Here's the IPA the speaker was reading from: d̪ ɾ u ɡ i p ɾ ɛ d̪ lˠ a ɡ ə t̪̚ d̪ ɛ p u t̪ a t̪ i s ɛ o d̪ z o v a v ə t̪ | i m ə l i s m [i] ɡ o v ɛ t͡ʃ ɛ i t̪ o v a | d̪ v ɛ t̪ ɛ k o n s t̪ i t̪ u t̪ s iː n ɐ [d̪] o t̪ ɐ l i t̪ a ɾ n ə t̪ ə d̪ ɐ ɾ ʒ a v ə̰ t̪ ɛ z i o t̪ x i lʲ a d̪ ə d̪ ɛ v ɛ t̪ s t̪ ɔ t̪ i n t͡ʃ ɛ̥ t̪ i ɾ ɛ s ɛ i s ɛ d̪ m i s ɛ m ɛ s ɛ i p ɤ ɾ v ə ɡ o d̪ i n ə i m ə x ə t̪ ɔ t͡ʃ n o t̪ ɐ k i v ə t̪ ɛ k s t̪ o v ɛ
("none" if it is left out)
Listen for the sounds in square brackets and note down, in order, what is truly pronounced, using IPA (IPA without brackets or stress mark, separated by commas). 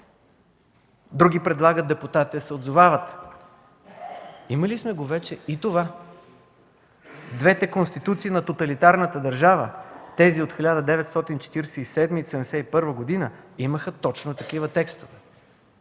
ɛ, t̪